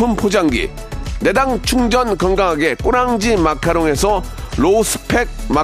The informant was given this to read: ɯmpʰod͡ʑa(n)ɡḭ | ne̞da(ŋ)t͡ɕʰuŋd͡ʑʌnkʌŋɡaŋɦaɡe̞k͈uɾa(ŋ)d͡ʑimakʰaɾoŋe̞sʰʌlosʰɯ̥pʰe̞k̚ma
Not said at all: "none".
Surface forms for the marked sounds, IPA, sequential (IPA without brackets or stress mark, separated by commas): ŋ, ŋ, ŋ